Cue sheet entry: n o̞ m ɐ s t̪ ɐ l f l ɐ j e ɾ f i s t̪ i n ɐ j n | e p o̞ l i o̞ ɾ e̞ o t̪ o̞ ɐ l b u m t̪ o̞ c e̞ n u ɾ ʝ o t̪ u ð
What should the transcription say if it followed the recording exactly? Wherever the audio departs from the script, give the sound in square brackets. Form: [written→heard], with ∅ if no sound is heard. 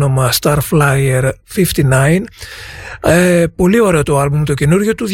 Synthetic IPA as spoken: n o̞ m ɐ s t̪ ɐ [l→ɾ] f l ɐ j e ɾ f i [s→f] t̪ i n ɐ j n | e p o̞ l i o̞ ɾ e̞ o t̪ o̞ ɐ l b u m t̪ o̞ c e̞ n u ɾ ʝ o t̪ u ð